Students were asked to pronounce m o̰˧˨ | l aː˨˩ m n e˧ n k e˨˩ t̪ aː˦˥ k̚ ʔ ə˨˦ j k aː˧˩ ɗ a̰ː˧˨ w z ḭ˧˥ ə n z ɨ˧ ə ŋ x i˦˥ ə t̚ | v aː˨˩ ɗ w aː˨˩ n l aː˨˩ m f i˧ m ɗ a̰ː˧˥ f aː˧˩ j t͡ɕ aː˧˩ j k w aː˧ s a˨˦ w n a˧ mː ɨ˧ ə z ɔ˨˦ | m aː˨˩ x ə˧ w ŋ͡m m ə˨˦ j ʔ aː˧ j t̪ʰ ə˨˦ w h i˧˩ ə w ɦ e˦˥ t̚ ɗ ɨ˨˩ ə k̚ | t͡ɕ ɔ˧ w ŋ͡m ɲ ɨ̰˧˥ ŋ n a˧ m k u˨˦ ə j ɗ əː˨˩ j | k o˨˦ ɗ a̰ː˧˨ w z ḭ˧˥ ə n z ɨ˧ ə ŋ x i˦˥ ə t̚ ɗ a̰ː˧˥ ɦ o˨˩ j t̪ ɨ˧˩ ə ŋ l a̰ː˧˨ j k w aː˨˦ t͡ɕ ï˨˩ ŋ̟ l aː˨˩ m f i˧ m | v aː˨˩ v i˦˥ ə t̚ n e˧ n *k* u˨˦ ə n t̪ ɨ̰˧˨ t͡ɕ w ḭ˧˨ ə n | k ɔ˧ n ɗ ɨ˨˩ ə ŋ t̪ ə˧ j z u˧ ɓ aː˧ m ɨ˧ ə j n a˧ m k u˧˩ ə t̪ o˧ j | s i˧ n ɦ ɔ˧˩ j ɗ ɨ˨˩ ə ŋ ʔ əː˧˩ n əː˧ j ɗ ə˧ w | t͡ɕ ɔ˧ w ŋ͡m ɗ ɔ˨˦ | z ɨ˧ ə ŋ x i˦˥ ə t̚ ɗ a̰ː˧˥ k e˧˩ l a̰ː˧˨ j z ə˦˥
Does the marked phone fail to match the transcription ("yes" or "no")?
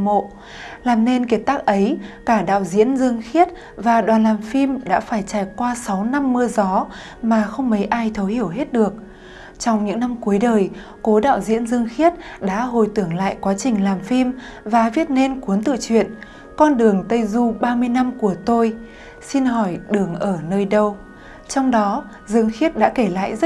no